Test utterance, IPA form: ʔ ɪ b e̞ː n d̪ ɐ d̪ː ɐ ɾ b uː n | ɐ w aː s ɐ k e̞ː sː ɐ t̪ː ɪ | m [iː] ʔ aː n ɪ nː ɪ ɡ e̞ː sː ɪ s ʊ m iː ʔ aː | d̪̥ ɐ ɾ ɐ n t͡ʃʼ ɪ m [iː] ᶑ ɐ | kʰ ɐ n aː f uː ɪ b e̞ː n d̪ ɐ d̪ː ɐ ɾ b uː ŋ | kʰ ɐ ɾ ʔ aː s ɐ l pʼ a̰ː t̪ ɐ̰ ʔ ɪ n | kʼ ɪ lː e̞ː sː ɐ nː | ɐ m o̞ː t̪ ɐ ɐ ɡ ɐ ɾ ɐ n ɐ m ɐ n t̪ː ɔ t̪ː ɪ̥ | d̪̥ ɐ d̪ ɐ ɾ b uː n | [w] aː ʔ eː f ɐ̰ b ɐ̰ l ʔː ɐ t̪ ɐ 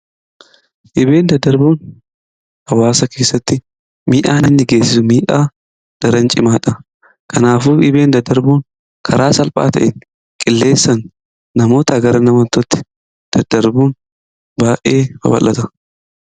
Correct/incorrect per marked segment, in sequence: correct, incorrect: aː, incorrect: b

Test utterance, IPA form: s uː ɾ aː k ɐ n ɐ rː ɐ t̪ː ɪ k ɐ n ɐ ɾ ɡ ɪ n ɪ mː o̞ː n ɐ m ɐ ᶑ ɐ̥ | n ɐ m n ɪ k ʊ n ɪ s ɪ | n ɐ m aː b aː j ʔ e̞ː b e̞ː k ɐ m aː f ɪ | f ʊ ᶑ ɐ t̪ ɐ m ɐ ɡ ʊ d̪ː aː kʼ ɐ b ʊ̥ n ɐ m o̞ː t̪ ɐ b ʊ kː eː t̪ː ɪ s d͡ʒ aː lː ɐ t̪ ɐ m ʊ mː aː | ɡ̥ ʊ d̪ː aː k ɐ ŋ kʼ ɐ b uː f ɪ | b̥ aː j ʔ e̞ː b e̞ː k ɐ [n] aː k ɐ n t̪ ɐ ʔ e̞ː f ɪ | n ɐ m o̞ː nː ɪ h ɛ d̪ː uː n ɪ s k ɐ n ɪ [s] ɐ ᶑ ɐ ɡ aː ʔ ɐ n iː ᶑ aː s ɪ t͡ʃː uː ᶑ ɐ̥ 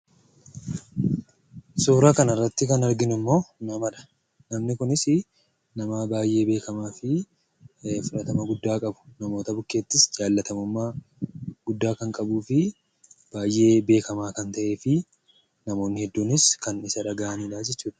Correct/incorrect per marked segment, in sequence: incorrect: m, correct

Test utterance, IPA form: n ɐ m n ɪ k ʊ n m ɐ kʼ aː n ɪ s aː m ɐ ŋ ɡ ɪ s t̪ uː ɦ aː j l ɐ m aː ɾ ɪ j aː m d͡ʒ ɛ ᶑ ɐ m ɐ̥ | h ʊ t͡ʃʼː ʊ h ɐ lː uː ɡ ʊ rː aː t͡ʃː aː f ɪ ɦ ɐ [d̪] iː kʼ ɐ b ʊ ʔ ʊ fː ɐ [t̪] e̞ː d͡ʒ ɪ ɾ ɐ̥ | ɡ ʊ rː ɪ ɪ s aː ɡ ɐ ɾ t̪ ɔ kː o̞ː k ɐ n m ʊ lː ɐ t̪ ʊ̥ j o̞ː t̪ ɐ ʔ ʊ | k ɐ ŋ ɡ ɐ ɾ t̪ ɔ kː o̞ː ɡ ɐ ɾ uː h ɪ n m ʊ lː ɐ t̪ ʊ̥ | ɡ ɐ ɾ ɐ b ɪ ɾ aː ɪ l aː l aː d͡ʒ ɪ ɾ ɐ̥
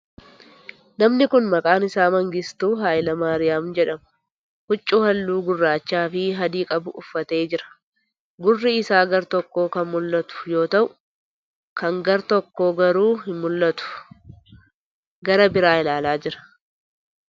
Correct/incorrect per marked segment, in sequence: correct, correct

